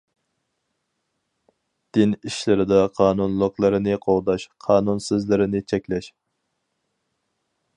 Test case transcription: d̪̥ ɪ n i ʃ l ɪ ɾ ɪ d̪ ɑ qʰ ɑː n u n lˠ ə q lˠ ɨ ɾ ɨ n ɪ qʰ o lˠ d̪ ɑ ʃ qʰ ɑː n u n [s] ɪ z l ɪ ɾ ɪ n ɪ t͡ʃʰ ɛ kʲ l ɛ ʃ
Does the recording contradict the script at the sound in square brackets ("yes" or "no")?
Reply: no